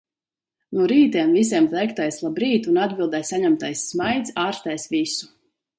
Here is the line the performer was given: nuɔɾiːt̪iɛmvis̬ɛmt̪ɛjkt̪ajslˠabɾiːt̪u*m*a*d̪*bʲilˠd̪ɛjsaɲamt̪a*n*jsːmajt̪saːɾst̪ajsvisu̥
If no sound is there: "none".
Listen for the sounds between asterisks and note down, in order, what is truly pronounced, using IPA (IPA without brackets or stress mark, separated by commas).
n, d̪, none